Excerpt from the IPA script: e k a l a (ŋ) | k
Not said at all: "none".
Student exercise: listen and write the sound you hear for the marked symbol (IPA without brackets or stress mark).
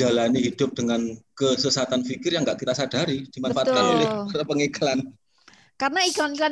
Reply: n